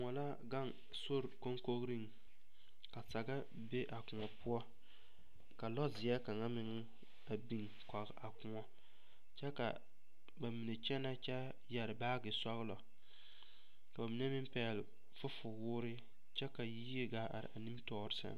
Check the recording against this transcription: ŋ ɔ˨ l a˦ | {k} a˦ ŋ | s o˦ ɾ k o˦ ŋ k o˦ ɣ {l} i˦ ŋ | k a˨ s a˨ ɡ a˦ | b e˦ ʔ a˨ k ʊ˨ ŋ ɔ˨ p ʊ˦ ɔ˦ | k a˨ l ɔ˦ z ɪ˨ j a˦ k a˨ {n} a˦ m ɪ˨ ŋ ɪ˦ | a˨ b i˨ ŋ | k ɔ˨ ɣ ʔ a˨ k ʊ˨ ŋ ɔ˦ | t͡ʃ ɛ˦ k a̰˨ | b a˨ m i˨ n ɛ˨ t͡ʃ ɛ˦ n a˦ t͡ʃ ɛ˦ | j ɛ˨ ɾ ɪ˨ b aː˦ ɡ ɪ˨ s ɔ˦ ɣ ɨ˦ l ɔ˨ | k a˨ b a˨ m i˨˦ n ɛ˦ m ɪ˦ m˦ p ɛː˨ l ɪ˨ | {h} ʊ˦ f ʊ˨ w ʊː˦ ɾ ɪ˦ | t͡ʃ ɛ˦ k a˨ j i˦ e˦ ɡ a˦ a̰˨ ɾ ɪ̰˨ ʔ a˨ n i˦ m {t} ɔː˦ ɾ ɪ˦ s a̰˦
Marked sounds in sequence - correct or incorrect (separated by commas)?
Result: incorrect, incorrect, incorrect, incorrect, correct